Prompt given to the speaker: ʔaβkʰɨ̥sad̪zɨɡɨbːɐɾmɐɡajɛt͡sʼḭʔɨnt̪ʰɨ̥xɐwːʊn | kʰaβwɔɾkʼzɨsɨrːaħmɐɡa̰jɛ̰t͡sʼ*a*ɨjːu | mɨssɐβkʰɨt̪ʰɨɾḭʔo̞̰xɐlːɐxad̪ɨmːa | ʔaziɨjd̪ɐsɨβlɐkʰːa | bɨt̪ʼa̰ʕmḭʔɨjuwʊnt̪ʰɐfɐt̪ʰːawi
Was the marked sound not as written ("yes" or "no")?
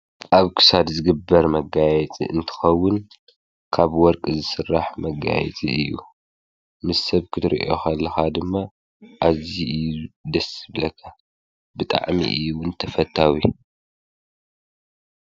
yes